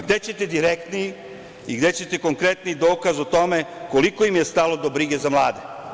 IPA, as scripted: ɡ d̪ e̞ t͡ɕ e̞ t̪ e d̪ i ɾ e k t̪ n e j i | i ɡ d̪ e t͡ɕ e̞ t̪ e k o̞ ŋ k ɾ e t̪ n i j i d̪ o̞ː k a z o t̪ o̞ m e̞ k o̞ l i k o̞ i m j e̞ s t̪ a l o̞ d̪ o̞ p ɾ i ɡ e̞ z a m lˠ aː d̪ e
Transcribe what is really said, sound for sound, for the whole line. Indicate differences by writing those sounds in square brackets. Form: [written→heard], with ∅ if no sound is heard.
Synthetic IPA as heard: ɡ d̪ e̞ t͡ɕ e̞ t̪ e d̪ i ɾ e k t̪ n [e→i] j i | i ɡ d̪ e t͡ɕ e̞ t̪ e k o̞ ŋ k ɾ e t̪ n i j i d̪ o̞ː k a z o t̪ o̞ m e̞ k o̞ l i k o̞ i m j e̞ s t̪ a l o̞ d̪ o̞ [p→b] ɾ i ɡ e̞ z a m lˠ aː d̪ e